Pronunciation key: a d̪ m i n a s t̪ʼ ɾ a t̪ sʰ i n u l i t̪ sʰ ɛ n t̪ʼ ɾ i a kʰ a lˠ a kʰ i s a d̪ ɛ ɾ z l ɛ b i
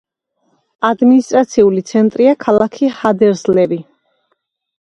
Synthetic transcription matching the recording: a d̪ m i n i s t̪ʼ ɾ a t̪ sʰ i u l i t̪ sʰ ɛ n t̪ʼ ɾ i a kʰ a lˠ a kʰ i h a d̪ ɛ ɾ z l ɛ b i